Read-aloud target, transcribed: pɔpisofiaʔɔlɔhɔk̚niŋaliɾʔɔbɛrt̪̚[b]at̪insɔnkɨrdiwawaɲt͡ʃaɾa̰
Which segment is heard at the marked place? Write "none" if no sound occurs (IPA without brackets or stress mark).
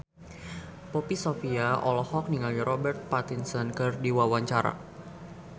p